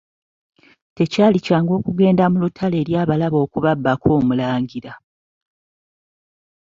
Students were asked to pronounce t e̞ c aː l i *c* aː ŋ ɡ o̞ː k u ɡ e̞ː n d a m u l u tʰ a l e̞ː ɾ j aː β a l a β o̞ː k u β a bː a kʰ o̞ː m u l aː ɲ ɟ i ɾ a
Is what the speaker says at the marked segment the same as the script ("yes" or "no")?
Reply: yes